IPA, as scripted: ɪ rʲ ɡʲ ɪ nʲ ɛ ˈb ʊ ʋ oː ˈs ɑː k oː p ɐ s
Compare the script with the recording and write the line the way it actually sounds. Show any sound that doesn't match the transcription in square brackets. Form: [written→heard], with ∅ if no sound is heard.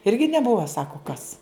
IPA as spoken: ɪ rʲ ɡʲ ɪ nʲ ɛ ˈb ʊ ʋ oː ˈs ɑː k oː [p→k] ɐ s